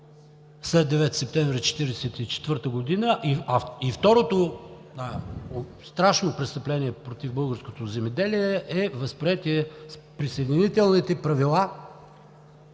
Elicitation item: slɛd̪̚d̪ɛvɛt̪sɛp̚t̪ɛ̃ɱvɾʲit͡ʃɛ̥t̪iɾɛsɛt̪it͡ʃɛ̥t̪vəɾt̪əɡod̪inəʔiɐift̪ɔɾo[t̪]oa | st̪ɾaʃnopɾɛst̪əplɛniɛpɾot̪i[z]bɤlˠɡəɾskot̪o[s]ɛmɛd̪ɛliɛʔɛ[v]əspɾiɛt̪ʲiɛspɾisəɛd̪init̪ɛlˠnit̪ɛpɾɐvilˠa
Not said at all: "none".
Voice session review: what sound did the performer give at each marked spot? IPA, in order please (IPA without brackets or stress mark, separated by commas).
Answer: t̪, v, z, v